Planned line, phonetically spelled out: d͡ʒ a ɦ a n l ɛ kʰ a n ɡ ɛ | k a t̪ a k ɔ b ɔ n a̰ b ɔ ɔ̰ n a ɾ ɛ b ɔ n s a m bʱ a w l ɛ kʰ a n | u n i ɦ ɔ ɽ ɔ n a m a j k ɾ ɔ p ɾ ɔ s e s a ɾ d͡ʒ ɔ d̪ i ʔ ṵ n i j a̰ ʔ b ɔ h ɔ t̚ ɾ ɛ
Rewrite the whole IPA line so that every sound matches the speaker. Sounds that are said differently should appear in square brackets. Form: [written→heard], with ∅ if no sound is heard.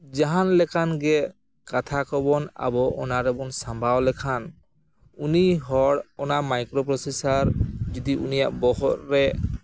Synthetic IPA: d͡ʒ a ɦ a n l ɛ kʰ a n ɡ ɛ | k a [t̪→t̪ʰ] a k ɔ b ɔ n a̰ b ɔ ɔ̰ n a ɾ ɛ b ɔ n s a m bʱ a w l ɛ kʰ a n | u n i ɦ ɔ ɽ ɔ n a m a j k ɾ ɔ p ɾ ɔ s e s a ɾ d͡ʒ ɔ d̪ i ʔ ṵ n i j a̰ ʔ b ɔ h ɔ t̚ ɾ ɛ

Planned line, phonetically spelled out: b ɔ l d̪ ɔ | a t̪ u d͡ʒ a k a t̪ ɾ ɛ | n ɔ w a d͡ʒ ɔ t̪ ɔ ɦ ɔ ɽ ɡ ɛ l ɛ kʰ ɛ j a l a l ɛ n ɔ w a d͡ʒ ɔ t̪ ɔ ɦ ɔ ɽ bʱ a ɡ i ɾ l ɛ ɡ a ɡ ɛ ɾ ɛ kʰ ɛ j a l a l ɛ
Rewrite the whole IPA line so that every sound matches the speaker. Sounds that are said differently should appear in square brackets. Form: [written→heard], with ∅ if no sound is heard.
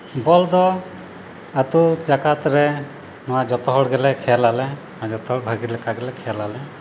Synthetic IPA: b ɔ l d̪ ɔ | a t̪ u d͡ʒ a k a t̪ ɾ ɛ | n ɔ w a d͡ʒ ɔ t̪ ɔ ɦ ɔ ɽ ɡ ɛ l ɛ kʰ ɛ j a l a l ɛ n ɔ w a d͡ʒ ɔ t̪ ɔ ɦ ɔ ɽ bʱ a ɡ i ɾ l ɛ [ɡ→k] a ɡ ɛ [ɾ→l] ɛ kʰ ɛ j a l a l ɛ

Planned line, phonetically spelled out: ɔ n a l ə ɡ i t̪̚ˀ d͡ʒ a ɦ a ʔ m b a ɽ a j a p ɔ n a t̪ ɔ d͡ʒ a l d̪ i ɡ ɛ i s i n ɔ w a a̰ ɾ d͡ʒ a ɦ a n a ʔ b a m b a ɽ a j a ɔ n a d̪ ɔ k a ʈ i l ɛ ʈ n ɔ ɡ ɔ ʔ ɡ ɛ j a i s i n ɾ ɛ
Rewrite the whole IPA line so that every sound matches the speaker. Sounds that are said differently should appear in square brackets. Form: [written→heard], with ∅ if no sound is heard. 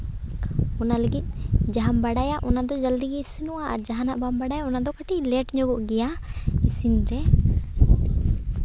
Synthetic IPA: ɔ n a l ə ɡ i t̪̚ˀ d͡ʒ a ɦ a [ʔ→∅] m b a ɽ a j a [p→ʔ] ɔ n a [t̪→d̪] ɔ d͡ʒ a l d̪ i ɡ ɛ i s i n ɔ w a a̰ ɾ d͡ʒ a ɦ a n a ʔ b a m b a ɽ a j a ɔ n a d̪ ɔ k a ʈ i l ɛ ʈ [n→ɲ] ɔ ɡ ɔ ʔ ɡ ɛ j a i s i n ɾ ɛ

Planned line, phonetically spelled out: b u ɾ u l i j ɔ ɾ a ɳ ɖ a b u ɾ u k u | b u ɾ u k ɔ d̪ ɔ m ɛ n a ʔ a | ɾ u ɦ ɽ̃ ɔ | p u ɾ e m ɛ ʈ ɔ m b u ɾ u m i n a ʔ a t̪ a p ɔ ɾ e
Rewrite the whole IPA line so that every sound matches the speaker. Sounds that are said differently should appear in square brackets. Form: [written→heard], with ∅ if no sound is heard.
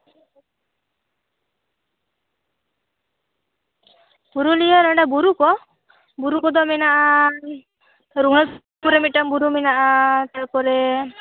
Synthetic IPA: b u ɾ u l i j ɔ ɾ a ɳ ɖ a b u ɾ u k [u→ɔ] | b u ɾ u k ɔ d̪ ɔ m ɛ n a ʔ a | ɾ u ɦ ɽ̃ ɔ | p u ɾ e m [ɛ→i] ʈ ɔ m b u ɾ u m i n a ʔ a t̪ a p ɔ ɾ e

